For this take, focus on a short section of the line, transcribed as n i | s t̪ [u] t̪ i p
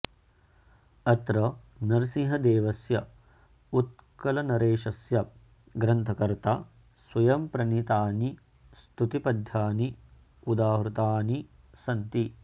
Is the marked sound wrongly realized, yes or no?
no